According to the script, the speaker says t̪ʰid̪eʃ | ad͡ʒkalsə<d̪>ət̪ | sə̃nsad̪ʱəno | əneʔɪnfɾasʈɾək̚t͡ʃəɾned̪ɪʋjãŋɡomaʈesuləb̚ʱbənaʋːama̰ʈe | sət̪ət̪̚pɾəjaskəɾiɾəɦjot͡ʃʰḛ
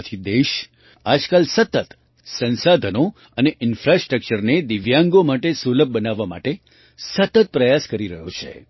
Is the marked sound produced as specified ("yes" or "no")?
no